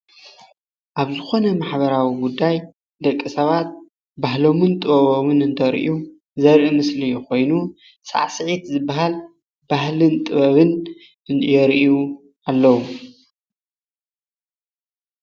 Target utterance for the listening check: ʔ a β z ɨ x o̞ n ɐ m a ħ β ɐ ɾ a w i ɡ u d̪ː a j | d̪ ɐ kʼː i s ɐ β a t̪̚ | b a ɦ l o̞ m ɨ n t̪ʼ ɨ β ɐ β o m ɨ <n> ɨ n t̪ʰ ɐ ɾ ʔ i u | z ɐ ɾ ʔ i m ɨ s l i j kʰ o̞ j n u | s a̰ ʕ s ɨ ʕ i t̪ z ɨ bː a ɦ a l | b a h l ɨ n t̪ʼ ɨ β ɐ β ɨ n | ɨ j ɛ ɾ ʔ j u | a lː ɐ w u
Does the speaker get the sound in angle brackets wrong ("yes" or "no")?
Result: no